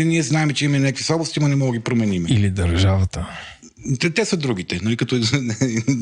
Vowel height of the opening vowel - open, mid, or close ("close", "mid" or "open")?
close